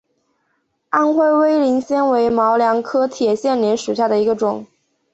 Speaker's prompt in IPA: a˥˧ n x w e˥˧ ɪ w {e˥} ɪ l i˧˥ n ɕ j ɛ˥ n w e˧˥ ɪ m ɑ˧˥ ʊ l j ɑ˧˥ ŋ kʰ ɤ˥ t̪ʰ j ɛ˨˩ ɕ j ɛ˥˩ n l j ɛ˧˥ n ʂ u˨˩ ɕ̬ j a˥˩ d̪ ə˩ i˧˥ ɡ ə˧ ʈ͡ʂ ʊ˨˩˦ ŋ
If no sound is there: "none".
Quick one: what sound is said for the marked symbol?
e˥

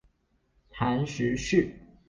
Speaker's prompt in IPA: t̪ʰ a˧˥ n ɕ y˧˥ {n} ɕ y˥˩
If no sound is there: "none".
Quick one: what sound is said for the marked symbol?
none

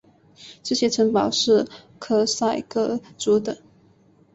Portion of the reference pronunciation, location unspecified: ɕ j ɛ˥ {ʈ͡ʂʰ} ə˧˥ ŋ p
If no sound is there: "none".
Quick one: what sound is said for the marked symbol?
ʈ͡ʂʰ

